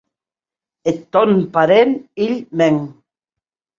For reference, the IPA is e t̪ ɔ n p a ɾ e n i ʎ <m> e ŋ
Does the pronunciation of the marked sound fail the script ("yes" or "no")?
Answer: no